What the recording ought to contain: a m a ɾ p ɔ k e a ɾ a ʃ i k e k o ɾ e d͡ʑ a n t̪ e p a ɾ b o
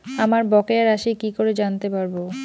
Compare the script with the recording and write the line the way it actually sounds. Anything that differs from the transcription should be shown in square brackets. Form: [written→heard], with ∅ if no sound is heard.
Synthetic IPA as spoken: a m a ɾ [p→b] ɔ k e a ɾ a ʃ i k [e→i] k o ɾ e d͡ʑ a n t̪ e p a ɾ b o